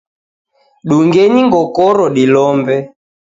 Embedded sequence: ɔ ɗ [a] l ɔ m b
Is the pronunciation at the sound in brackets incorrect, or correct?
incorrect